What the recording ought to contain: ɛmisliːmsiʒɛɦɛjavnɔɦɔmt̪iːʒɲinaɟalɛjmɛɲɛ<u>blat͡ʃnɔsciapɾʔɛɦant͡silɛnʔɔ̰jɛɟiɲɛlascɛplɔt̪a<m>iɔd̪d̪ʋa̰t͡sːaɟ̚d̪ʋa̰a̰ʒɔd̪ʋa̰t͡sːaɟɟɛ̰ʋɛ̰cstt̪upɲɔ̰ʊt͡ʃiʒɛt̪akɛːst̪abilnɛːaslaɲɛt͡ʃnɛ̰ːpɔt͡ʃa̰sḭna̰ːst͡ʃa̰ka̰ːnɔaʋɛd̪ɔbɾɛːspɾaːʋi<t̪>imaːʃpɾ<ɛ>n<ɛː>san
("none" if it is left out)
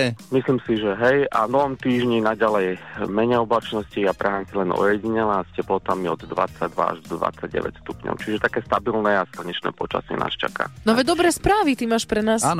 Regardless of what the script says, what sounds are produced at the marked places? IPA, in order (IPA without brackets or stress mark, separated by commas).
ɔ, m, t̪, ɛ, aː